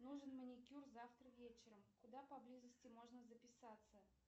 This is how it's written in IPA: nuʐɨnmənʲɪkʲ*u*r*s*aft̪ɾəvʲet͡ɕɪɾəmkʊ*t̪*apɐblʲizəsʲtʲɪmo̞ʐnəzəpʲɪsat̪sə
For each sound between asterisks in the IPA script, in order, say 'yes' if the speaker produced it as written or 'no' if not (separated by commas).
yes, no, no